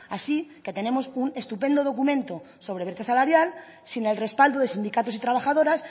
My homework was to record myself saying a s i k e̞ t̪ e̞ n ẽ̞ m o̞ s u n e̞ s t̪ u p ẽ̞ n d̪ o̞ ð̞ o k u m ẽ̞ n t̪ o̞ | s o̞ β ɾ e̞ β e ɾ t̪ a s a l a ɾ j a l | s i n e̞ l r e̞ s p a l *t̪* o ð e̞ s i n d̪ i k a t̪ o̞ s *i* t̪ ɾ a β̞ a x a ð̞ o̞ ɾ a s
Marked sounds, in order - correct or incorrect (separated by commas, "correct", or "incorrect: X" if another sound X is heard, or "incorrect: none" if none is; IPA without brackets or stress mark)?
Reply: incorrect: d̪, correct